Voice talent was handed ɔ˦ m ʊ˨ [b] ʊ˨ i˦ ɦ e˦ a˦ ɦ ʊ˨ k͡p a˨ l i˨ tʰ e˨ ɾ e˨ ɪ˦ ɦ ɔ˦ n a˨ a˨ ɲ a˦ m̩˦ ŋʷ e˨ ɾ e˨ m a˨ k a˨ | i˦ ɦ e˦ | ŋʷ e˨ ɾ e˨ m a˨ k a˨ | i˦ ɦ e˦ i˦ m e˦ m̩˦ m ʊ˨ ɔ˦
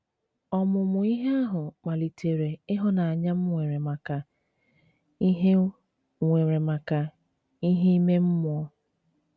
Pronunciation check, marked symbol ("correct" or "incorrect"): incorrect